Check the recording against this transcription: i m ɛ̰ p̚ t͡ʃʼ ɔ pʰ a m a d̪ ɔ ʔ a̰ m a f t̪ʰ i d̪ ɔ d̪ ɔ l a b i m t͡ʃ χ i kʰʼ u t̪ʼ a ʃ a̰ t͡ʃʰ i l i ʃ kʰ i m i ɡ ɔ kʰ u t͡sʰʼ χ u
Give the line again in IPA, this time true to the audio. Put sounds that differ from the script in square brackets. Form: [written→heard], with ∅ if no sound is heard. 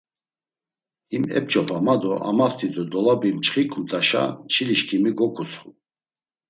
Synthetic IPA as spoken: i m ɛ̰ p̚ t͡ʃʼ ɔ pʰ a m a d̪ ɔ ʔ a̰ m a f t̪ʰ i d̪ ɔ d̪ ɔ l a b i m t͡ʃ χ i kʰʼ u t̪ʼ a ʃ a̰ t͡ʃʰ i l i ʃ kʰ i m i ɡ ɔ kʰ u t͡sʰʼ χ u

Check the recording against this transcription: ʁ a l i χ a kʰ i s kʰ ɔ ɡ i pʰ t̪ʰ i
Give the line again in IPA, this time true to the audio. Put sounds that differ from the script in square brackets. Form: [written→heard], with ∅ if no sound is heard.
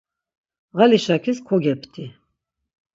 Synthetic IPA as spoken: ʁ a l i [χ→ʃ] a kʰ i s kʰ ɔ ɡ [i→ɛ] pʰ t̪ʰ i

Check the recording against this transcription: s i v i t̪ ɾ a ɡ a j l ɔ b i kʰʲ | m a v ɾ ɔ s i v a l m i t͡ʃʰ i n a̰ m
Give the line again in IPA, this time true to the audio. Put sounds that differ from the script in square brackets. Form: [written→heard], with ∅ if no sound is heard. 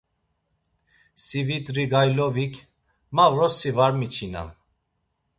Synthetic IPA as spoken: s i v i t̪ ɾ [a→i] ɡ a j l ɔ [b→v] i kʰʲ | m a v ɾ ɔ s i v a [l→ɾ] m i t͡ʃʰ i n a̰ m

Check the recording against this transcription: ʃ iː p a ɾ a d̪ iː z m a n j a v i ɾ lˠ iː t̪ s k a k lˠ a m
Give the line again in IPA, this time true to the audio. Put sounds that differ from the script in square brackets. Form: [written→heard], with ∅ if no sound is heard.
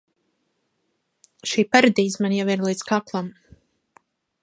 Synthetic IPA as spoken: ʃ iː p a ɾ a d̪ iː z m a n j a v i ɾ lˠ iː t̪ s k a k lˠ a m

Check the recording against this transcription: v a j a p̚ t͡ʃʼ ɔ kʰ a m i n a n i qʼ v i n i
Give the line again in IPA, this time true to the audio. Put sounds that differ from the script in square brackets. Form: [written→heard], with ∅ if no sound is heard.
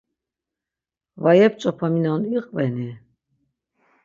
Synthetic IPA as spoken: v a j [a→ɛ] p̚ t͡ʃʼ ɔ [kʰ→pʰ] a m i n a n i qʼ v [i→ɛ] n i

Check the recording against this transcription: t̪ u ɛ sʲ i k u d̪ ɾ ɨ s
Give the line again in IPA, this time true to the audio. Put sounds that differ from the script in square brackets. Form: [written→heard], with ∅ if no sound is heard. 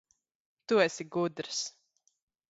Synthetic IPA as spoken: t̪ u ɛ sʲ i [k→ɡ] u d̪ ɾ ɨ s

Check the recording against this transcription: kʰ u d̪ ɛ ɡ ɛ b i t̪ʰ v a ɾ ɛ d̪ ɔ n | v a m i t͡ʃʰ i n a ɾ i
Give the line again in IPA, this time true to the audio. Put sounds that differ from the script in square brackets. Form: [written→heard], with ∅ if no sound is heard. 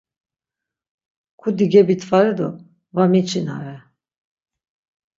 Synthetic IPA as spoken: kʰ u d̪ [ɛ→i] ɡ ɛ b i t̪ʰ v a ɾ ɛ d̪ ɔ [n→∅] | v a m i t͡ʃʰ i n a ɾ [i→ɛ]

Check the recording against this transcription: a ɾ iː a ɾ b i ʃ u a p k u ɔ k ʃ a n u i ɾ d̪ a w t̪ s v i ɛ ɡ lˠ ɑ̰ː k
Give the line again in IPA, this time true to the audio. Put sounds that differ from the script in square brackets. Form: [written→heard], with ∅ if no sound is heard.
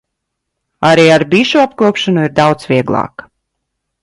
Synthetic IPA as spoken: a ɾ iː a ɾ b i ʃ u a p k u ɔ [k→p] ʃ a n u i ɾ d̪ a w t̪ s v i ɛ ɡ lˠ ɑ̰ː k

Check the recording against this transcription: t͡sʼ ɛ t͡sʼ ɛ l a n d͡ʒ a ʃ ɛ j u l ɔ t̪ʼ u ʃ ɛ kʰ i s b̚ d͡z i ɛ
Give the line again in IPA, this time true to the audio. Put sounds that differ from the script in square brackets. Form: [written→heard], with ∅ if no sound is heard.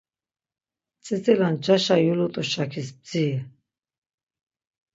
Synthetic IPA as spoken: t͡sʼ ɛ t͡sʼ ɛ l a n d͡ʒ a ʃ [ɛ→a] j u l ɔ t̪ʼ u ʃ [ɛ→a] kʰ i s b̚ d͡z i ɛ

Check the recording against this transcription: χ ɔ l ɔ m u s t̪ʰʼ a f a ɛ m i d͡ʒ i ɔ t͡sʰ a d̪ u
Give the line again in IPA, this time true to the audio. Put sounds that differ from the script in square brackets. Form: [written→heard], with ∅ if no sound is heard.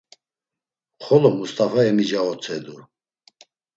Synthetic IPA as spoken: χ ɔ l ɔ m u s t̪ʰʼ a f a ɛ m i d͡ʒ [i→a] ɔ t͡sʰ [a→ɛ] d̪ u

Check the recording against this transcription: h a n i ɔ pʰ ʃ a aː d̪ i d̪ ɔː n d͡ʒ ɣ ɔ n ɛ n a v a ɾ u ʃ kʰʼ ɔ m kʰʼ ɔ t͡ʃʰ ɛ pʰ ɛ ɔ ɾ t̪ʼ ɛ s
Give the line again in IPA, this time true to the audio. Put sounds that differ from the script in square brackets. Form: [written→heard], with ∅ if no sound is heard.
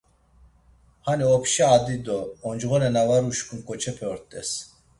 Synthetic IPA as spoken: h a n i ɔ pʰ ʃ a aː d̪ i d̪ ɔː n d͡ʒ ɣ ɔ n ɛ n a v a ɾ u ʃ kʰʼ [ɔ→u] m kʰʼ ɔ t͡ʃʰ ɛ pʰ ɛ ɔ ɾ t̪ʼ ɛ s

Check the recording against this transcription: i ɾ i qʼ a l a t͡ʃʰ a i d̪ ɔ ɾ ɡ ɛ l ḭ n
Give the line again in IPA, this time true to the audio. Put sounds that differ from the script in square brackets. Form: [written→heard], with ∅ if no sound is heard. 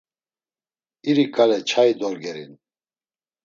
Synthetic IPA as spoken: i ɾ i [qʼ→kʼ] a l [a→ɛ] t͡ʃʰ a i d̪ ɔ ɾ ɡ ɛ [l→ɾ] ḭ n

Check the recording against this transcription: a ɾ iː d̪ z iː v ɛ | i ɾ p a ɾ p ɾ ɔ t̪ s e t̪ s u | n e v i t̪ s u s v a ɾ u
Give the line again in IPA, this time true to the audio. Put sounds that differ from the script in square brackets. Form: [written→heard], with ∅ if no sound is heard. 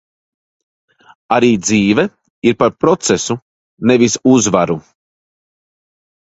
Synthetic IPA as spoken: a ɾ iː d̪ z iː v ɛ | i ɾ p a ɾ p ɾ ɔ t̪ s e [t̪→∅] s u | n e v i [t̪→∅] s u [s→z] v a ɾ u

